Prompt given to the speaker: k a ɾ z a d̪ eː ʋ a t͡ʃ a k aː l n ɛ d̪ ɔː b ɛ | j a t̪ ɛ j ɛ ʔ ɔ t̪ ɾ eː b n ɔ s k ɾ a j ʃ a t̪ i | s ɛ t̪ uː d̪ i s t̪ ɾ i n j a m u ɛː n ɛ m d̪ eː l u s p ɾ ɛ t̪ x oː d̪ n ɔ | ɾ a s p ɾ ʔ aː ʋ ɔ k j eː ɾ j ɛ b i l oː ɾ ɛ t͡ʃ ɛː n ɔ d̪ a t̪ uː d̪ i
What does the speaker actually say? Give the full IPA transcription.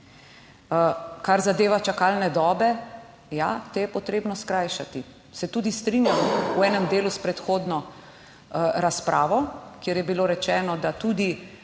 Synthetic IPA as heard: k a ɾ z a d̪ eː ʋ a t͡ʃ a k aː l n ɛ d̪ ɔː b ɛ | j a t̪ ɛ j ɛ p ɔ t̪ ɾ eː b n ɔ s k ɾ a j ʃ a t̪ i | s ɛ t̪ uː d̪ i s t̪ ɾ i n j a m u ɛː n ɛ m d̪ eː l u s p ɾ ɛ t̪ x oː d̪ n ɔ | ɾ a s p ɾ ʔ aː ʋ ɔ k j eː ɾ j ɛ b i l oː ɾ ɛ t͡ʃ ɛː n ɔ d̪ a t̪ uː d̪ i